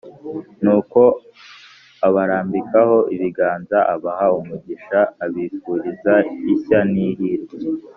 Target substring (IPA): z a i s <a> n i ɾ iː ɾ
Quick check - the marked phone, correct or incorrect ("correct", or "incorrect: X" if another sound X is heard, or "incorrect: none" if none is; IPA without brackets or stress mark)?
correct